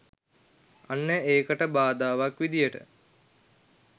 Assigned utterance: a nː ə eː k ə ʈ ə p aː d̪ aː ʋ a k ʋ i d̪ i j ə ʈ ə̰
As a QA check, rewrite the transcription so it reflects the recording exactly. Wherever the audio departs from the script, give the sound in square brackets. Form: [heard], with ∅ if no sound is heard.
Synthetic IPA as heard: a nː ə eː k ə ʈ ə [b] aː d̪ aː ʋ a k ʋ i d̪ i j ə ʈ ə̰